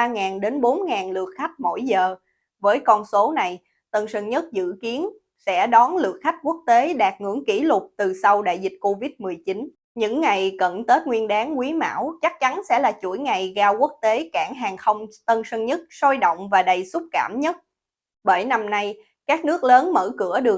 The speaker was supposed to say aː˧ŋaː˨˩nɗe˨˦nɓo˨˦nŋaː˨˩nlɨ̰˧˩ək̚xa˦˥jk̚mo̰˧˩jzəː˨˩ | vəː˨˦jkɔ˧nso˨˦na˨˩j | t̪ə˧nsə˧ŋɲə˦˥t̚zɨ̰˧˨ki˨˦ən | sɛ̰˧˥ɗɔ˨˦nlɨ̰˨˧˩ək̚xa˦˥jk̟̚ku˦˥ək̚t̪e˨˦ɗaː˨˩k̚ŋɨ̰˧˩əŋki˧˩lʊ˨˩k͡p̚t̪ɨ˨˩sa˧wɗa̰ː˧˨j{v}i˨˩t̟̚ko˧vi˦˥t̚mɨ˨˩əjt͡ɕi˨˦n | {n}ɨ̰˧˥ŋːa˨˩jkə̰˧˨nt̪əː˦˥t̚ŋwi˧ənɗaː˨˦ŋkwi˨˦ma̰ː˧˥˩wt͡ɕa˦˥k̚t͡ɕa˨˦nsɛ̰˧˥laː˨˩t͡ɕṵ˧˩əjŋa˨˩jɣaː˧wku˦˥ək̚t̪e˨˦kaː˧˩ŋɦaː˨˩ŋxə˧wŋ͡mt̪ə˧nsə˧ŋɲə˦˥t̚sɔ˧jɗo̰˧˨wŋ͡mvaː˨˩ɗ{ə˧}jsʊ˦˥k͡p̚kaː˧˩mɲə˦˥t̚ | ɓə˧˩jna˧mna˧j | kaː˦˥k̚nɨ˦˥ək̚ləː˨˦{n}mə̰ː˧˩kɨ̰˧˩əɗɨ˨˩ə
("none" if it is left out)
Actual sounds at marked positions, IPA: z, ɲ, ə˨˩, n

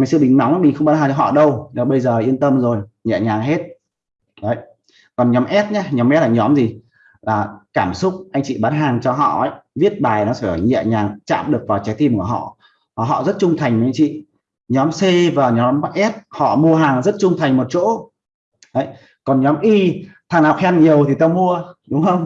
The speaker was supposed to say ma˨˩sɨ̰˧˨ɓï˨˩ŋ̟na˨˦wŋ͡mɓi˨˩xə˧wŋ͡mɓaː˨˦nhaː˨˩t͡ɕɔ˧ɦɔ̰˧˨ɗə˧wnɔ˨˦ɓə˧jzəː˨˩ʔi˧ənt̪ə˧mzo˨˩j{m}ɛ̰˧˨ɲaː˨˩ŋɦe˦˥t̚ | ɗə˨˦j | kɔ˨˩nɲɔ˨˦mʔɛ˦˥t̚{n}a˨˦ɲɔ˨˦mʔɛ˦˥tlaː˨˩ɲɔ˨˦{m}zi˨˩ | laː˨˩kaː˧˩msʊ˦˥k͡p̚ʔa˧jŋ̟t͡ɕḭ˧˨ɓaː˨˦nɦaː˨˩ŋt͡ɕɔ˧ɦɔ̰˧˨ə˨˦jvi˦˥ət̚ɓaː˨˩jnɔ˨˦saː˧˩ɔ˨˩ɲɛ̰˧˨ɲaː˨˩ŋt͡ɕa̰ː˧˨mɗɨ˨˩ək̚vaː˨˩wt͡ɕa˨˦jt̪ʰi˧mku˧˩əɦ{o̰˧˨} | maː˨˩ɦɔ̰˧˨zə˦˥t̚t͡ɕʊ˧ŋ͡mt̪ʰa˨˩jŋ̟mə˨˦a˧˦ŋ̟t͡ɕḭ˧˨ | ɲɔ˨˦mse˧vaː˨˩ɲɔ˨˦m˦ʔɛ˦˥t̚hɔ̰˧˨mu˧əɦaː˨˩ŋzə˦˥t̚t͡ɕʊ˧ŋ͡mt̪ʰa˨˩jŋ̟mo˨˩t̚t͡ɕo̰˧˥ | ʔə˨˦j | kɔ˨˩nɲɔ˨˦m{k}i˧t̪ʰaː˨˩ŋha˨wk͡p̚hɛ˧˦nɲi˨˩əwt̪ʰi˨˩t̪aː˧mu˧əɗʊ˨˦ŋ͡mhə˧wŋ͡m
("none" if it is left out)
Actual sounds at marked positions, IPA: ɲ, ɲ, m, ɔ̰˧˨, ʔ

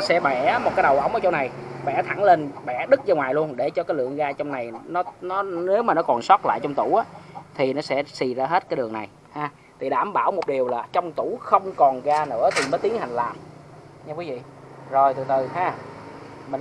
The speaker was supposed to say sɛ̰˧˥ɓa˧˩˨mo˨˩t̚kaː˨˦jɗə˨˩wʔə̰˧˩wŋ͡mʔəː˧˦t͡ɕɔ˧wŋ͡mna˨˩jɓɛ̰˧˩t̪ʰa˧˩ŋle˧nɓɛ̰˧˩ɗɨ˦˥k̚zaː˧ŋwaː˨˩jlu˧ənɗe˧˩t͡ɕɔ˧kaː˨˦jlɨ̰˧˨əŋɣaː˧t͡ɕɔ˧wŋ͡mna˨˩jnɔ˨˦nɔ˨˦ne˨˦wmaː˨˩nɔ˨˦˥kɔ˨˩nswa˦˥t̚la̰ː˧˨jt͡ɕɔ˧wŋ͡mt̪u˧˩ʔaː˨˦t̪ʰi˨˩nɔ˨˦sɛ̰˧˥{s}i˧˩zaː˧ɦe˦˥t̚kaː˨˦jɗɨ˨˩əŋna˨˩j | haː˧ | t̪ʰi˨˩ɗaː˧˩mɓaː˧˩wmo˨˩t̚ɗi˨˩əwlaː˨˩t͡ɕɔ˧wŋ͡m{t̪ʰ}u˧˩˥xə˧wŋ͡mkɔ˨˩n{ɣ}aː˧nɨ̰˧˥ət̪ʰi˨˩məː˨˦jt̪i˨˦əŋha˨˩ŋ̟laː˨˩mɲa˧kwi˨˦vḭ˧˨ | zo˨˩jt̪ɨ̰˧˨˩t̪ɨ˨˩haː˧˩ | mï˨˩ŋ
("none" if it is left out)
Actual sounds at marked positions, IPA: s, t̪, ɣ

